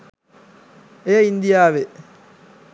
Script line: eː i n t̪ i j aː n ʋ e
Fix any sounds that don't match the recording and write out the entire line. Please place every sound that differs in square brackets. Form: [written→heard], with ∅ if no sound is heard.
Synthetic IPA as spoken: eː i n [t̪→d̪] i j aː [n→∅] ʋ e